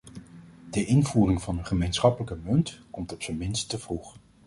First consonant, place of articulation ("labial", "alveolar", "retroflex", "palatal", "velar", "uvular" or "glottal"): alveolar